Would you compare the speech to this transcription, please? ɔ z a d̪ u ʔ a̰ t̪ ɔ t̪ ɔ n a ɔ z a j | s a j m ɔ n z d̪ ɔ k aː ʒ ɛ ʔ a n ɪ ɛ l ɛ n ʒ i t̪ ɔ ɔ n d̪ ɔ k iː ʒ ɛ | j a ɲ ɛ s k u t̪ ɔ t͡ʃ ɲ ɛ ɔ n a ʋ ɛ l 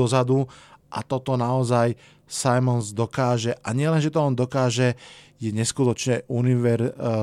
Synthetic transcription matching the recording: ɔ z a d̪ u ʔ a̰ t̪ ɔ t̪ ɔ n a ɔ z a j | s a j m ɔ n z d̪ ɔ k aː ʒ ɛ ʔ a ɲ ɪ ɛ l ɛ n ʒ ɛ t̪ ɔ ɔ n d̪ ɔ k aː ʒ ɛ | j ɛ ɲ ɛ s k u t̪ ɔ t͡ʃ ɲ ɛ u n i ʋ ɛ ɾ